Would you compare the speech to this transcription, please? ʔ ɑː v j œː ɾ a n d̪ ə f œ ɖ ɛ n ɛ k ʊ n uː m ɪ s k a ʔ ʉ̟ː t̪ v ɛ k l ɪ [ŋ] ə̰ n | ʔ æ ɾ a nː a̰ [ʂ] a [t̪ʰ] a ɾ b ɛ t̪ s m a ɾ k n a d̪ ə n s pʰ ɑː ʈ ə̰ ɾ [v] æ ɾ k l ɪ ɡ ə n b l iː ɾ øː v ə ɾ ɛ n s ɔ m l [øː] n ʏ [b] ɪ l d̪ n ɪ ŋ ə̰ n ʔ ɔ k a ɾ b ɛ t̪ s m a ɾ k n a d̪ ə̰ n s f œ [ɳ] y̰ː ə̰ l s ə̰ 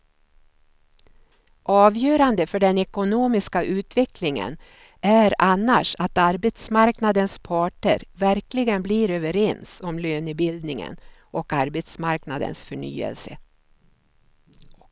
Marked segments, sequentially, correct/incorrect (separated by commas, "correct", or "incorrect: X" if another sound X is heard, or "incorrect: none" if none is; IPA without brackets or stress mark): correct, correct, incorrect: t̪, correct, correct, correct, correct